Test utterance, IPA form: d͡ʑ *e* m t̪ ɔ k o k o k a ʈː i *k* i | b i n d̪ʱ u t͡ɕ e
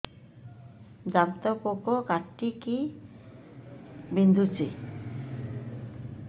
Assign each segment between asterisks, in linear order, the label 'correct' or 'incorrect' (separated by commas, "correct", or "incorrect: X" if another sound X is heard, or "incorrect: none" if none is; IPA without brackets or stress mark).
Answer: incorrect: a, correct